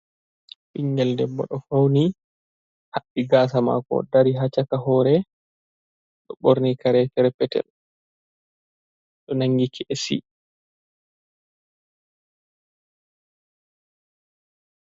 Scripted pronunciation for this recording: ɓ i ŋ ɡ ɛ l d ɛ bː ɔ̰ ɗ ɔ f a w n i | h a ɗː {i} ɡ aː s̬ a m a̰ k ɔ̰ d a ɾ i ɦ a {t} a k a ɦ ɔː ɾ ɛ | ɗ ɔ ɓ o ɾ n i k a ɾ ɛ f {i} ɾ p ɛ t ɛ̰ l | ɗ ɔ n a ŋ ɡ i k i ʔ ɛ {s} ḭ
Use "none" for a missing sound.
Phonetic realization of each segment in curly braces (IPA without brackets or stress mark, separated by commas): i, t͡ʃ, ɛ, s